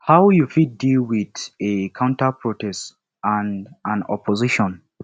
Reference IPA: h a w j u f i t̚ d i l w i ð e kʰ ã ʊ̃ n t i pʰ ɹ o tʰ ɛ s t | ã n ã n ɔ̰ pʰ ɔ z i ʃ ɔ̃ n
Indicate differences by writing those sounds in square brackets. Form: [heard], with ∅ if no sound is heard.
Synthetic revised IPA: h a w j u f i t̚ d i l w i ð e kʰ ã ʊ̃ n t [a] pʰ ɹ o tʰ ɛ s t | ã n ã n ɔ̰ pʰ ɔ z i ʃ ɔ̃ n